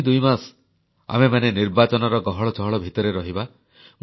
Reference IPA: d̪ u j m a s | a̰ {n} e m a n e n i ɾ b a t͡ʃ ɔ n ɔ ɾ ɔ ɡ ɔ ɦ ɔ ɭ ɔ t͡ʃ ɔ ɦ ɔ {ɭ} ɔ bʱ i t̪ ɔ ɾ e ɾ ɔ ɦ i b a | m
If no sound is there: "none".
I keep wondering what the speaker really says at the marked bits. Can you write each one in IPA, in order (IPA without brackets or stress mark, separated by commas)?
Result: m, ɭ